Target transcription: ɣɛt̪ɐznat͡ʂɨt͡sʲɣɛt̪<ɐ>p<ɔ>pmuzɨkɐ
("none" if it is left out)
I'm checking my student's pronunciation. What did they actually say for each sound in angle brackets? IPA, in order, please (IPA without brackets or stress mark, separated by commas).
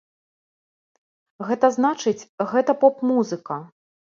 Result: ɐ, ɔ